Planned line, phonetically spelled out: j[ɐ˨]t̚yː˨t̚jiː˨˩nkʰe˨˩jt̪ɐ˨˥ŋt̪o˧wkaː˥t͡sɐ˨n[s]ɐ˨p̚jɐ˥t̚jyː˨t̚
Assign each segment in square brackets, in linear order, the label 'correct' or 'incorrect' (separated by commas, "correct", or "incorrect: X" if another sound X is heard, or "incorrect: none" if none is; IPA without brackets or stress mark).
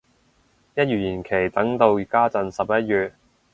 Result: incorrect: ɐ˥, correct